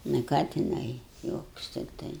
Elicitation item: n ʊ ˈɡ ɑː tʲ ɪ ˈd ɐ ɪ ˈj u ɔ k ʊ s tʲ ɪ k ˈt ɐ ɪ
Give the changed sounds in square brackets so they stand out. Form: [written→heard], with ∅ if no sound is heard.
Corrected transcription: n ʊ [ˈɡ→ˈk] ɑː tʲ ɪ [ˈd→ˈn] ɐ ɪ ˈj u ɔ k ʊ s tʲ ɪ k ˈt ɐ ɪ